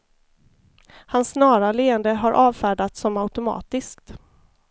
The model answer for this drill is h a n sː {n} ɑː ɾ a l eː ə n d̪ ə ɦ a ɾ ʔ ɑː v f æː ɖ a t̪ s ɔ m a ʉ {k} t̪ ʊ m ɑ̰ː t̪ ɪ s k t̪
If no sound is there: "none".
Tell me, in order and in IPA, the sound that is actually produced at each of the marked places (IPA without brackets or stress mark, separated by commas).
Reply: n, none